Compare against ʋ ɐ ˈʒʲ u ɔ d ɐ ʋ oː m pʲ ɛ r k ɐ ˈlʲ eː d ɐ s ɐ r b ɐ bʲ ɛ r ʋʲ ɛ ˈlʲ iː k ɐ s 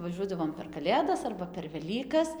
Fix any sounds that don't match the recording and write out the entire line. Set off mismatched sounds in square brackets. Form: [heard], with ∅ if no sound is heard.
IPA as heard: ʋ ɐ ˈʒʲ u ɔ d ɐ ʋ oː m pʲ ɛ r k ɐ ˈlʲ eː d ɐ s ɐ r b ɐ [pʲ] ɛ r ʋʲ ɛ ˈlʲ iː k ɐ s